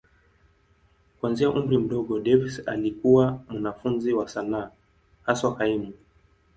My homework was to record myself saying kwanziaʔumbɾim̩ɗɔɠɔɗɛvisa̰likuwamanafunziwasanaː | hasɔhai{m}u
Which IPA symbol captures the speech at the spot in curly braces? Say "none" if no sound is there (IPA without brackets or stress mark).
m